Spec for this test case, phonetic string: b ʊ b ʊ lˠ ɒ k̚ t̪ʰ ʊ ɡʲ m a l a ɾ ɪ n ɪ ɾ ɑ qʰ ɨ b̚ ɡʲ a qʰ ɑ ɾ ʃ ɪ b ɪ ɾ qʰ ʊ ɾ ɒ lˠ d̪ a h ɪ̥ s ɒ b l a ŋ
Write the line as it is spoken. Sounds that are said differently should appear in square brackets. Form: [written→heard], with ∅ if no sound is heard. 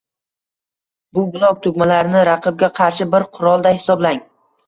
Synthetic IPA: b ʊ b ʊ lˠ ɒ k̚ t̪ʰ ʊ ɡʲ m a l a ɾ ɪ n ɪ ɾ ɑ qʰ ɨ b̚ ɡʲ a qʰ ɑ ɾ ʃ ɪ b ɪ ɾ qʰ ʊ ɾ ɒ lˠ d̪ a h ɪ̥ s ɒ b l a ŋ